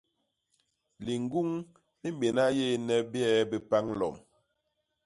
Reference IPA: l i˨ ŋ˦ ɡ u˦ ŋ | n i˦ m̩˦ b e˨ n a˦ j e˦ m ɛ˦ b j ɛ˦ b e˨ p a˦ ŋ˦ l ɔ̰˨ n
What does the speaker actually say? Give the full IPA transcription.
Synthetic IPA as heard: l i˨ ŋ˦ ɡ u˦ ŋ | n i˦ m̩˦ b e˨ n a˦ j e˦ n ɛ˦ b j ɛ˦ b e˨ p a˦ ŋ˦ l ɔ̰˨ m